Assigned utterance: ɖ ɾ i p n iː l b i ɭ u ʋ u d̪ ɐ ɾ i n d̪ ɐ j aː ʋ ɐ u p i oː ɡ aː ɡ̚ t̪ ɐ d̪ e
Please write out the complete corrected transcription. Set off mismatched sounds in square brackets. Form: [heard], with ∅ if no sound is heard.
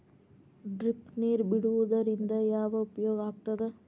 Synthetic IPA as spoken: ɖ ɾ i p n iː [ɾ] b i [ɽ] u ʋ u d̪ ɐ ɾ i n d̪ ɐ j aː ʋ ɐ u p [j] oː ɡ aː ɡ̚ t̪ ɐ d̪ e